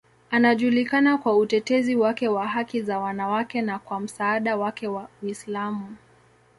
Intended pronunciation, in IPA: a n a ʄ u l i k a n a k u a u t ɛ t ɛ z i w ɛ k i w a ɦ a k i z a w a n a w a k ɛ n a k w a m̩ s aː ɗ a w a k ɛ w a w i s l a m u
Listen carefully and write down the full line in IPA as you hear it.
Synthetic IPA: a n a ʄ u l i k a n a k w a u t ɛ t ɛ z i w a k ɛ w a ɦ a k i z a w a n a w a k ɛ n a k w a m̩ s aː ɗ a w a k ɛ w a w i s l a m u